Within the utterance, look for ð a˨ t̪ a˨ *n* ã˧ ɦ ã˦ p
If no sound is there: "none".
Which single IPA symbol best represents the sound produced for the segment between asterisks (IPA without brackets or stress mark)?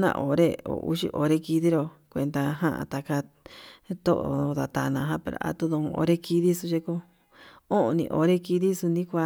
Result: n